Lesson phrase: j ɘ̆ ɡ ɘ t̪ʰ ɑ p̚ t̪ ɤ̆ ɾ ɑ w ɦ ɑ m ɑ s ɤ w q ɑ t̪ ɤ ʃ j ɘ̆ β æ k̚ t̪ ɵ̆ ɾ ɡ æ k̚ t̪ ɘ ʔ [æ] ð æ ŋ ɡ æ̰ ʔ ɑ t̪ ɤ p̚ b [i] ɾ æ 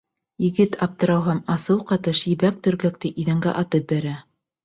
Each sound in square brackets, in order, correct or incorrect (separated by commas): incorrect, incorrect